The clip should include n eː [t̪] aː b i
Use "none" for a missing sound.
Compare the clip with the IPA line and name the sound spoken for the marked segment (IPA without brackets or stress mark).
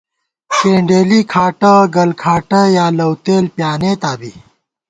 t̪